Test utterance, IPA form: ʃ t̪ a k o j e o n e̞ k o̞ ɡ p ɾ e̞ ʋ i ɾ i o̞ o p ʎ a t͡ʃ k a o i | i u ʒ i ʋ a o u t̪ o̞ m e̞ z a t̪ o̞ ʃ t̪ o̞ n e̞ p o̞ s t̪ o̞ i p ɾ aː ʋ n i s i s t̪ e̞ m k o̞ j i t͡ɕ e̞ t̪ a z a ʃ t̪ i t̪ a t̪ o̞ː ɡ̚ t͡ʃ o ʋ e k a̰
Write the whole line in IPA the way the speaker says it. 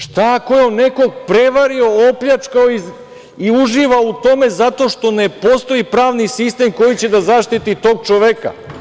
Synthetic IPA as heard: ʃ t̪ a k o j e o n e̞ k o̞ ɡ p ɾ e̞ ʋ a ɾ i o̞ o p ʎ a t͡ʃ k a o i | i u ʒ i ʋ a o u t̪ o̞ m e̞ z a t̪ o̞ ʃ t̪ o̞ n e̞ p o̞ s t̪ o̞ i p ɾ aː ʋ n i s i s t̪ e̞ m k o̞ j i t͡ɕ e̞ d̪ a z a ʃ t̪ i t̪ i t̪ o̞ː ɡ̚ t͡ʃ o ʋ e k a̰